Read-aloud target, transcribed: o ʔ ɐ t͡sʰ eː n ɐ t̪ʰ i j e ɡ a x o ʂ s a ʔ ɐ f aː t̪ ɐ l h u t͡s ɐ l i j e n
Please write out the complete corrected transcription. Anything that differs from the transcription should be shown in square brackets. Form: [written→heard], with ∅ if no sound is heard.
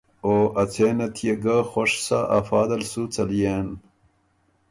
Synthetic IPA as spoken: o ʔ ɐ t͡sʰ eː n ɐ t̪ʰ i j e ɡ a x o ʂ s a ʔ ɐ f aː [t̪→d̪] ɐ l [h→s] u t͡s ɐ l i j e n